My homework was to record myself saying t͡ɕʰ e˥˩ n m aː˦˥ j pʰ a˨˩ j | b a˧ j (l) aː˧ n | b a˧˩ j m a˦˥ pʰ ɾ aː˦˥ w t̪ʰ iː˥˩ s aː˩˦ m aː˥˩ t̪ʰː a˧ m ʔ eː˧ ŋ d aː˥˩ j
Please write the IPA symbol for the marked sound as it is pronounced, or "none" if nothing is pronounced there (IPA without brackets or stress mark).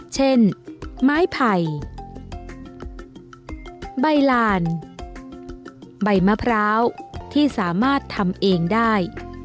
l